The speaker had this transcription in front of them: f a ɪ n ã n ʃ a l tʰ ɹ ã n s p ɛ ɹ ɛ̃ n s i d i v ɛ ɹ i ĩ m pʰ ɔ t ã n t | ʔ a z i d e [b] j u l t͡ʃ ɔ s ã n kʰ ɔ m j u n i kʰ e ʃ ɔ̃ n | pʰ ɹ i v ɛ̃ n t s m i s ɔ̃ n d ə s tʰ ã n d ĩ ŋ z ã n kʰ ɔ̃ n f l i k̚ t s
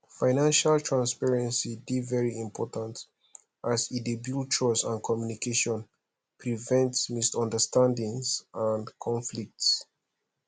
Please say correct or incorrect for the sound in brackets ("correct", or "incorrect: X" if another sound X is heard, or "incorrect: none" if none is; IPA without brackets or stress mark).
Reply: correct